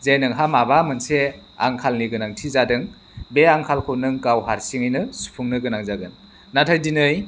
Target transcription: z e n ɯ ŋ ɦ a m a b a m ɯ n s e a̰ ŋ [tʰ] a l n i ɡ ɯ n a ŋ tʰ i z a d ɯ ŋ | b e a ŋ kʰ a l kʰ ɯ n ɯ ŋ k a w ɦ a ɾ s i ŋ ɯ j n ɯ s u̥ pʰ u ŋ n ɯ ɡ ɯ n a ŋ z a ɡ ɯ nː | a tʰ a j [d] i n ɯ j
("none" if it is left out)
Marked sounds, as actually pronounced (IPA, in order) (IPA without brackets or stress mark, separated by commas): kʰ, d